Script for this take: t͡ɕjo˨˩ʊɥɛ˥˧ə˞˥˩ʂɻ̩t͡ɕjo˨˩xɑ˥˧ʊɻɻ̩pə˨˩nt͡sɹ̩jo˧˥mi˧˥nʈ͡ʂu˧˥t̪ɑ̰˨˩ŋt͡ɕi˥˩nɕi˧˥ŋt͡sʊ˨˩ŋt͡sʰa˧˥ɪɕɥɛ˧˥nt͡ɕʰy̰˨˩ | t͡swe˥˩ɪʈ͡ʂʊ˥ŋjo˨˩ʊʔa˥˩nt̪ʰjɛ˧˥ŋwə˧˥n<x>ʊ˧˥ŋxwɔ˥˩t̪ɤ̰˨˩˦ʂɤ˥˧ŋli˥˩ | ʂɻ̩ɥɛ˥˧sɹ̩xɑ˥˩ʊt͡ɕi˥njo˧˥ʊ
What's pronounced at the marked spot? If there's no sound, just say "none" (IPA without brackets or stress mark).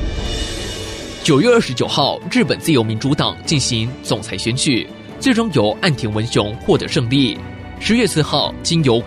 ɕ